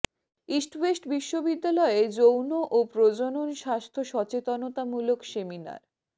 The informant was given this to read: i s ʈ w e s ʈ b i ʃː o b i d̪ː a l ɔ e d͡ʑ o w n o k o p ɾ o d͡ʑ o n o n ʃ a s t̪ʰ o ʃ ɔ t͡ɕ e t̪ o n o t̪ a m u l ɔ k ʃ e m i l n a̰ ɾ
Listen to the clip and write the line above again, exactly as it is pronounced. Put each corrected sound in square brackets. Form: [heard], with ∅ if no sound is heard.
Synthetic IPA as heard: i s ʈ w e s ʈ b i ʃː o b i d̪ː a l ɔ e d͡ʑ o w n o [ʔ] o p ɾ o d͡ʑ o n o n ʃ a s t̪ʰ o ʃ ɔ t͡ɕ e t̪ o n o t̪ a m u l [o] k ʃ e m i [∅] n a̰ ɾ